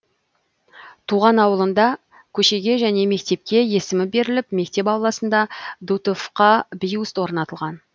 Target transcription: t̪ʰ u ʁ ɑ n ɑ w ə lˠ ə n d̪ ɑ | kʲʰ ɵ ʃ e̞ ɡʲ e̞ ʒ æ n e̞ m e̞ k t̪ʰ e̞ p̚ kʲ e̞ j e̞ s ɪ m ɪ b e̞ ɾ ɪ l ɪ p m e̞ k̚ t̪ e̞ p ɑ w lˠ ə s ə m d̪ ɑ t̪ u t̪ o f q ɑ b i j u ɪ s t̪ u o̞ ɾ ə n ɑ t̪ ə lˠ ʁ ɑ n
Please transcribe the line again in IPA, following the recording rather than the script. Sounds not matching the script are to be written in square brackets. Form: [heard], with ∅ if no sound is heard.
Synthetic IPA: t̪ʰ u ʁ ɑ n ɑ w ə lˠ ə n d̪ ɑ | kʲʰ ɵ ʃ e̞ ɡʲ e̞ ʒ æ n e̞ m e̞ k [t̪] e̞ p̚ kʲ e̞ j e̞ s ɪ m ɪ b e̞ ɾ ɪ l ɪ p m e̞ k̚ t̪ e̞ p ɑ w lˠ [ɑ] s ə [n] d̪ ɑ [d̪] u t̪ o f q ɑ b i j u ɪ s t̪ [w] o̞ ɾ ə n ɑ t̪ ə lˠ ʁ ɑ n